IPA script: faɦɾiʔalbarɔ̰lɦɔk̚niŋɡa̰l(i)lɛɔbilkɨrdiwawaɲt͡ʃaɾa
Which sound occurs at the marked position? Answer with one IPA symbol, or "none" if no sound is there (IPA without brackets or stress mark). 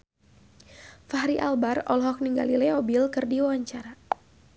i